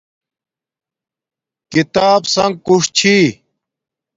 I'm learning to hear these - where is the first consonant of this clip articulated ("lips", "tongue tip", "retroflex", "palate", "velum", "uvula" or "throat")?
velum